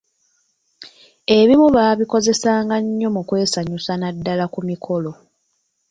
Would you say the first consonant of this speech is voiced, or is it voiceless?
voiced